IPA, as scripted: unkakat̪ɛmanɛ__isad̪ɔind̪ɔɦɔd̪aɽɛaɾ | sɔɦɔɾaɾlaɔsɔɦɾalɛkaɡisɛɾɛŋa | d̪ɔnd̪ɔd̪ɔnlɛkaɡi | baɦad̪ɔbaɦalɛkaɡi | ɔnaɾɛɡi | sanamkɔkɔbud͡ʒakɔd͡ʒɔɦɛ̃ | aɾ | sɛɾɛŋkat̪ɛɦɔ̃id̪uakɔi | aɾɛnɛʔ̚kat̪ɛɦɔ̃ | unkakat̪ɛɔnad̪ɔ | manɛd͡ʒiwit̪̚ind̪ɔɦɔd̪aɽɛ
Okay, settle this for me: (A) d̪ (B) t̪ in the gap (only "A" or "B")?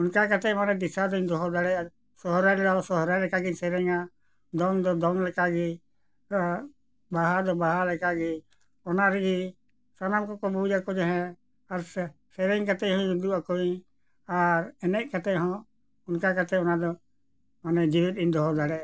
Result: A